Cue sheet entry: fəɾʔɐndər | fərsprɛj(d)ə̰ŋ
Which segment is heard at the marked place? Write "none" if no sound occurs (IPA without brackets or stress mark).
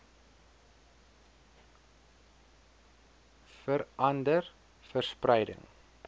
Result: d